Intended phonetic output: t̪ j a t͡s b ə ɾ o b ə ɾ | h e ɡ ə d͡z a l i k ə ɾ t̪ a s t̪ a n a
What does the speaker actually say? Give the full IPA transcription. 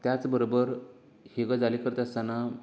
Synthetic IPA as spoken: t̪ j a t͡s b ə ɾ o b ə ɾ | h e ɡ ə d͡z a l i k ə ɾ t̪ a s t̪ a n a